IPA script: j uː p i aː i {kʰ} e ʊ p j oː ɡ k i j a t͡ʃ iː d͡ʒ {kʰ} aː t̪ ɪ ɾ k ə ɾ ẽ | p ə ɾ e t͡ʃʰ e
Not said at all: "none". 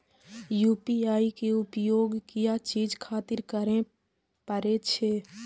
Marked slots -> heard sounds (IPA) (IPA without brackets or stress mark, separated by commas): k, kʰ